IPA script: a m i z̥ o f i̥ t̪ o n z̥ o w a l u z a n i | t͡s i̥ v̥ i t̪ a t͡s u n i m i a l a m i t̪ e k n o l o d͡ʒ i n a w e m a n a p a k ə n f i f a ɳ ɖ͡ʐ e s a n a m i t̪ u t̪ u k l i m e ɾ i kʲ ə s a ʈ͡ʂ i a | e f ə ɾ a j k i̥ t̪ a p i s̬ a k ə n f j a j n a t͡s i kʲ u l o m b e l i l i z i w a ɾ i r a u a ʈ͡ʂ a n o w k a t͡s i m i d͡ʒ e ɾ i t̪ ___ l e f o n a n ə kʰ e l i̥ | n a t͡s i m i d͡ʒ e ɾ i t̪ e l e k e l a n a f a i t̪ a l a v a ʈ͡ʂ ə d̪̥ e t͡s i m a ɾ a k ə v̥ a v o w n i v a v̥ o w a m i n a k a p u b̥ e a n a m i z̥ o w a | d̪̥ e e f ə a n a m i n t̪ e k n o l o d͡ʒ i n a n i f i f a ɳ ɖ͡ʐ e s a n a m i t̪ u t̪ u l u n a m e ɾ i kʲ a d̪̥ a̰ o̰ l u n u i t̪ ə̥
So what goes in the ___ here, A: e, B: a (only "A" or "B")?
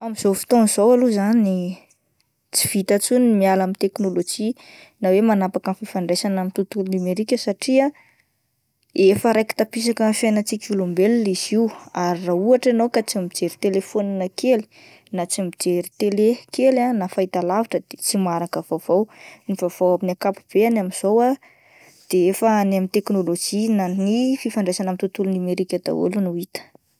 A